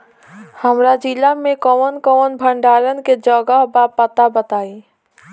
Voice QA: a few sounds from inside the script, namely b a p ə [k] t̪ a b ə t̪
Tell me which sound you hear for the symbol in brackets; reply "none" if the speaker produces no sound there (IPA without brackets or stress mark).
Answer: none